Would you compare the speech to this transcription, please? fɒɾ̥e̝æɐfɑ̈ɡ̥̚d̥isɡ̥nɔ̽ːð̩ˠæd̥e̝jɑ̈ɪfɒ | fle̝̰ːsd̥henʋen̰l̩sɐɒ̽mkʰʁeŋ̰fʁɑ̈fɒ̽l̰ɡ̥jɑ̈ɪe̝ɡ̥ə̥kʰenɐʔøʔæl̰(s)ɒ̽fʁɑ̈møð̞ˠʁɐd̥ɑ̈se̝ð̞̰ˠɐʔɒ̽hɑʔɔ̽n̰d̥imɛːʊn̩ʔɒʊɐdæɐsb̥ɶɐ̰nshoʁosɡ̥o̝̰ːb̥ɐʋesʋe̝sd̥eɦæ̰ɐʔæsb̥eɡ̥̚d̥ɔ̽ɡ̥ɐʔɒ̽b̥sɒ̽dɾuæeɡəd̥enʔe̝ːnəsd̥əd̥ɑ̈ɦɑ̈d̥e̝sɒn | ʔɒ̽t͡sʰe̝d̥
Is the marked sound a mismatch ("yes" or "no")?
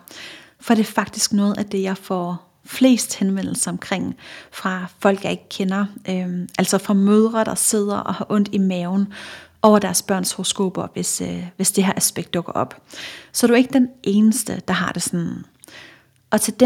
no